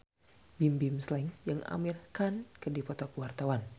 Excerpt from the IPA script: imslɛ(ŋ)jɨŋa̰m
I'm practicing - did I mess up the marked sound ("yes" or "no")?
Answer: no